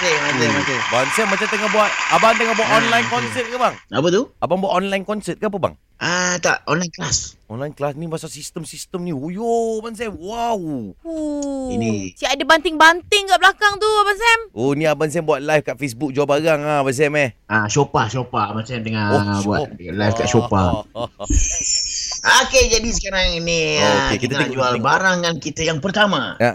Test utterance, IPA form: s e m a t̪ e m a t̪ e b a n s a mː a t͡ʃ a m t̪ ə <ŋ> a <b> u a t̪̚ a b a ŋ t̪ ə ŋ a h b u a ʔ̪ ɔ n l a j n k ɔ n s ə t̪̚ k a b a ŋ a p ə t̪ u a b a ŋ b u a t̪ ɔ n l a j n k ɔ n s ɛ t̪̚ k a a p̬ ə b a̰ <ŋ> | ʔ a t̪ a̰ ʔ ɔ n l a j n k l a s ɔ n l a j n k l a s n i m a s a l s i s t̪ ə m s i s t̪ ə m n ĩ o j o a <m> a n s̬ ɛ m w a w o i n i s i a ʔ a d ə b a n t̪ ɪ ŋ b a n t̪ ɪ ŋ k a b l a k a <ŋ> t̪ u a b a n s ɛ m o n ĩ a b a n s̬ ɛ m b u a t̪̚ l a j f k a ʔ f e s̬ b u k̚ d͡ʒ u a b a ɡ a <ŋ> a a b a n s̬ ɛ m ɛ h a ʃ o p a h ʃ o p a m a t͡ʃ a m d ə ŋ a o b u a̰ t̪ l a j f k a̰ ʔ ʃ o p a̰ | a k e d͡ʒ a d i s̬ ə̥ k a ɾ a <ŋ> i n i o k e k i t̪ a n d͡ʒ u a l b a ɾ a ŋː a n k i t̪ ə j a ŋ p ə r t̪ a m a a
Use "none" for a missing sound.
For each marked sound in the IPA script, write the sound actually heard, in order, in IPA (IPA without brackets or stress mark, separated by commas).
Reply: ŋ, b, ŋ, b, ŋ, ŋ, ŋ